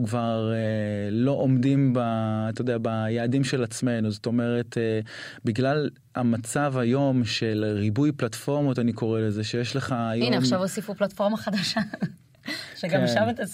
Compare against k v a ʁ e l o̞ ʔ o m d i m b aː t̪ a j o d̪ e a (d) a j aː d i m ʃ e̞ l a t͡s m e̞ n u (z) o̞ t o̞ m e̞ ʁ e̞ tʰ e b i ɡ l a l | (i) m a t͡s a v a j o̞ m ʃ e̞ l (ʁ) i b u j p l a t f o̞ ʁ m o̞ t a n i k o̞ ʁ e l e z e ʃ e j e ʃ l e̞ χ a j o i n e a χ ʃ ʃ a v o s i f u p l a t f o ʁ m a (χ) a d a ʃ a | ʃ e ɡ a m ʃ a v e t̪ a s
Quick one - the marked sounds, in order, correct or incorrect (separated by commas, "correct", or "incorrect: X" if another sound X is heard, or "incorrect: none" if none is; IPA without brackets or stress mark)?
incorrect: b, correct, incorrect: a, correct, correct